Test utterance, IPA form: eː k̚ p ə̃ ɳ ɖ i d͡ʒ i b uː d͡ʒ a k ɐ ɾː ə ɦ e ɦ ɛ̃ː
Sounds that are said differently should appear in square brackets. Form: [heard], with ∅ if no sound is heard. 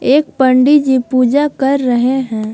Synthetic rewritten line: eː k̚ p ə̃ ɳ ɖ i d͡ʒ i [p] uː d͡ʒ a k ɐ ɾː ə ɦ e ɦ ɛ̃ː